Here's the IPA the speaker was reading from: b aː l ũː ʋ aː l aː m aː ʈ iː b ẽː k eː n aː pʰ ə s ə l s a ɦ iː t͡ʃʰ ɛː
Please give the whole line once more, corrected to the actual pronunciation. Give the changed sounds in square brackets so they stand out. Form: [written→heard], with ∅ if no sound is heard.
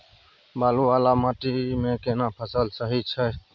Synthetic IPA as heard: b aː l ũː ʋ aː l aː m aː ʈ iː [b→m] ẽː k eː n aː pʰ ə s ə l s [a→ə] ɦ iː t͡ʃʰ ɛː